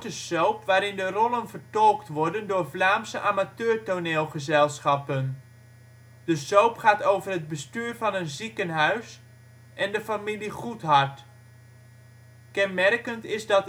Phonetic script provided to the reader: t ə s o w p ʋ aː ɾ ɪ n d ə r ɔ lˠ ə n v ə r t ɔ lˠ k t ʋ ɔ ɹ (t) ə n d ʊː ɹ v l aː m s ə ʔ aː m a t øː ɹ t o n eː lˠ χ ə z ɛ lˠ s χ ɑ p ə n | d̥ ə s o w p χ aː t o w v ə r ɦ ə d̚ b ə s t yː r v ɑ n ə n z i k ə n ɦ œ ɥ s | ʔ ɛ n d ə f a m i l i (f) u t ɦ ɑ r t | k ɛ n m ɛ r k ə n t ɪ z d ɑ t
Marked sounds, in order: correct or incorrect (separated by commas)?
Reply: incorrect, incorrect